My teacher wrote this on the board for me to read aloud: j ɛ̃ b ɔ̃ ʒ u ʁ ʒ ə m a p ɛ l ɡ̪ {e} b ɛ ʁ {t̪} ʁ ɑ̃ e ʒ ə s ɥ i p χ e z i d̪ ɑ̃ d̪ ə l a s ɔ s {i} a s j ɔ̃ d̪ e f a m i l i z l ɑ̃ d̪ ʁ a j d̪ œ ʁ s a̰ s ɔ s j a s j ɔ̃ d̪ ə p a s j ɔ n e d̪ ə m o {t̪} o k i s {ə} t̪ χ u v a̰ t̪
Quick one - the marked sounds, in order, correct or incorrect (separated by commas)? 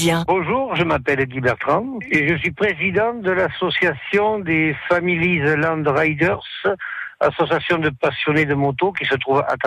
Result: incorrect, correct, incorrect, correct, correct